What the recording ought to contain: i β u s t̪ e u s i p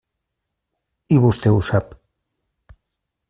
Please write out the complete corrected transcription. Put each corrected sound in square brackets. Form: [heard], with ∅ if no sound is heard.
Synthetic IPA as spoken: i β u s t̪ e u s [a] p